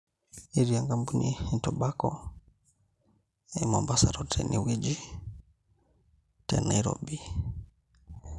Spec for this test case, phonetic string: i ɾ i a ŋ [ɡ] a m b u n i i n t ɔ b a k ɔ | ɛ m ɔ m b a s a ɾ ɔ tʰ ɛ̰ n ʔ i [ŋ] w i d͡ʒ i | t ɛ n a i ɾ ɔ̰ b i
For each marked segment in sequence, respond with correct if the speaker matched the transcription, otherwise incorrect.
correct, incorrect

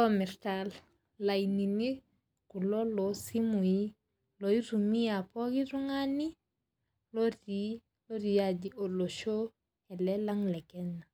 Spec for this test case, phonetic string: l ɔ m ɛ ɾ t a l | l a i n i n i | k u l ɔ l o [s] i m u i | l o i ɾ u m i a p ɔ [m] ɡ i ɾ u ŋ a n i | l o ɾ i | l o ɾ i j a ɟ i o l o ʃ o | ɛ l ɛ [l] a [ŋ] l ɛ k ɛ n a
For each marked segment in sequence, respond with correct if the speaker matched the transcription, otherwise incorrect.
correct, incorrect, correct, correct

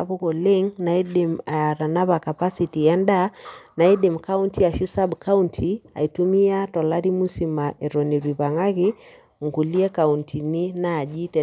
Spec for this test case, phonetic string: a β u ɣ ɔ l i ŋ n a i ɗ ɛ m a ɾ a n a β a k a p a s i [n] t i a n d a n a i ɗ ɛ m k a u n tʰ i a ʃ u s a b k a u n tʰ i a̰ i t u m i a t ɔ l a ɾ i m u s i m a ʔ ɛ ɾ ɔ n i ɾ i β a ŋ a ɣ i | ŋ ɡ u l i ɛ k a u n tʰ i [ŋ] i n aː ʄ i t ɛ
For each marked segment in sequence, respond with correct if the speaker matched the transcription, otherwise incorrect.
incorrect, incorrect

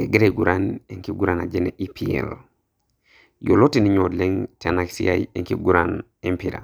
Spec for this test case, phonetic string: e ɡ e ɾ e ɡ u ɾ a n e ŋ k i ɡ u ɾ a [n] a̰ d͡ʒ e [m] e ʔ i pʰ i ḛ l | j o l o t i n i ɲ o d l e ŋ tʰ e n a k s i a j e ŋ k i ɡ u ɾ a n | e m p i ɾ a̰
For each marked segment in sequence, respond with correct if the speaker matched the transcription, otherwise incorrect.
correct, incorrect

